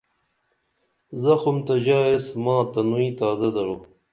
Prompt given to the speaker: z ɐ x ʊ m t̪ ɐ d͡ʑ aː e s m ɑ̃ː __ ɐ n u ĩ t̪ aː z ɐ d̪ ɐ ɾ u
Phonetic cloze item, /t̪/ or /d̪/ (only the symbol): t̪